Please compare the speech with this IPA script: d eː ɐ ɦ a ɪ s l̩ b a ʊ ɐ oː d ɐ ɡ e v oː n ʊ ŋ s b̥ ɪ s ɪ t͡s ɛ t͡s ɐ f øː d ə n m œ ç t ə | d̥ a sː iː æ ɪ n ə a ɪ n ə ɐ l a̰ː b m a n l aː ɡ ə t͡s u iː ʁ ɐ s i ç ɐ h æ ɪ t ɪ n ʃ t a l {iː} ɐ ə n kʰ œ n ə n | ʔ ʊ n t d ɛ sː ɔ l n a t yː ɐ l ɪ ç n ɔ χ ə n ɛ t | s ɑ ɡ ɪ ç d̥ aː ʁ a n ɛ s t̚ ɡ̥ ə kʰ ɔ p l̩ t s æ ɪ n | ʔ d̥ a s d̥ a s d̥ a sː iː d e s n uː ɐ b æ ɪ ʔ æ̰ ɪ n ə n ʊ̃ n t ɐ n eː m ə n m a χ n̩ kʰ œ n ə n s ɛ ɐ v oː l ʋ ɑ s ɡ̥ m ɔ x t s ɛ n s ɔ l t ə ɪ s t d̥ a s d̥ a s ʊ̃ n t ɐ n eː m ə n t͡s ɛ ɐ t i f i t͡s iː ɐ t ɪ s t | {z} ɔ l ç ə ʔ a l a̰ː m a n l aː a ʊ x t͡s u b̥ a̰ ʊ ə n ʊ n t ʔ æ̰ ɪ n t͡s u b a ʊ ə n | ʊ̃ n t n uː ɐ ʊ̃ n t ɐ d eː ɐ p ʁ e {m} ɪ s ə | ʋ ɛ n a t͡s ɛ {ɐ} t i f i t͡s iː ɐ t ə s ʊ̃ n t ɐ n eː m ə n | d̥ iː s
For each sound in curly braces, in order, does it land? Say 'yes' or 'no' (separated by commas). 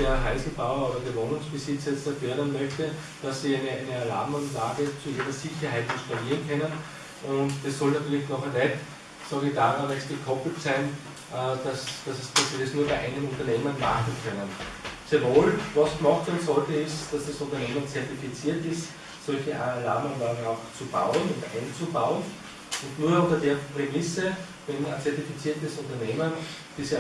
yes, no, yes, yes